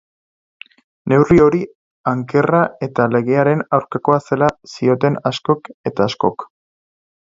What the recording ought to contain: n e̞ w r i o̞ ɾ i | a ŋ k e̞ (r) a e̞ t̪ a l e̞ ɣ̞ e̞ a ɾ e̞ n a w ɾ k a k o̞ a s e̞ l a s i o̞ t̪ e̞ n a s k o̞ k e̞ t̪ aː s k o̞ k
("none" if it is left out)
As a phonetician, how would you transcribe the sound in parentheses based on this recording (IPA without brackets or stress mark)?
r